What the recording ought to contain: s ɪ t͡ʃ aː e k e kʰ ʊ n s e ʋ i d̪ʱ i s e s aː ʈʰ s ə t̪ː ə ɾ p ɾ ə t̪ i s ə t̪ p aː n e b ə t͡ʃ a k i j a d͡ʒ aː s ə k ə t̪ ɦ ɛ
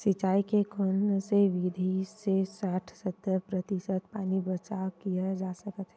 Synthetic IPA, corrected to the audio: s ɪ t͡ʃ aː i k e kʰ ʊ n s e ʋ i d̪ʱ i s e s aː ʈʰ s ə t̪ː ə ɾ p ɾ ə t̪ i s ə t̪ p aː n i b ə t͡ʃ a k i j a d͡ʒ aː s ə k ə t̪ ɦ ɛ